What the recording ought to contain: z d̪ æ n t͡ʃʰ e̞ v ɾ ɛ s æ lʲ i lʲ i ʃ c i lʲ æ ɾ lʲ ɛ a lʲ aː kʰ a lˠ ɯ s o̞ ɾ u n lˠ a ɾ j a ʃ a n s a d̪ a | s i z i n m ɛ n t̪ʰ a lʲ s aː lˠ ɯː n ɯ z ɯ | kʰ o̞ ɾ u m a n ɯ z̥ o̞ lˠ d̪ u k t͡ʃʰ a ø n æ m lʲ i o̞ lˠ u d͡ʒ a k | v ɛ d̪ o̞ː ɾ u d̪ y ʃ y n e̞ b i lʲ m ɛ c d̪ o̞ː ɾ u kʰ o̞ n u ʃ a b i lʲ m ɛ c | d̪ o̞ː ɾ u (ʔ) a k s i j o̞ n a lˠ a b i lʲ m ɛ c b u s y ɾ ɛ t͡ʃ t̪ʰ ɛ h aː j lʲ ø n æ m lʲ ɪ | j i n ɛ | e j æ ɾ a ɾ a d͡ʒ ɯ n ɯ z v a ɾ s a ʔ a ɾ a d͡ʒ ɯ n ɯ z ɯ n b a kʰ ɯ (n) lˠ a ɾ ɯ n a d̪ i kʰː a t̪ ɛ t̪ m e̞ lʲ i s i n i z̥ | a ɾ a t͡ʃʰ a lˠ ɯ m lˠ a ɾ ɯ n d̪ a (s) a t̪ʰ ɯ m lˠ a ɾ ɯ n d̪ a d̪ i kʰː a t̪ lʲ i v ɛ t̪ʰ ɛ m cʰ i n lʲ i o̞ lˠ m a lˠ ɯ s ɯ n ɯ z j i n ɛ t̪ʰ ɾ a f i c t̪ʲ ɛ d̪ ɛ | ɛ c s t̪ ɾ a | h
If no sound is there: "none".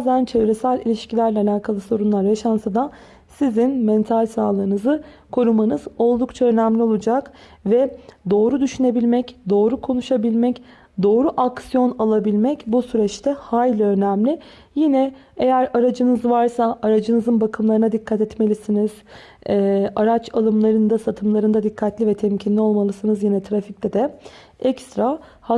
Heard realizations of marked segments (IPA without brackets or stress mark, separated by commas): ʔ, m, s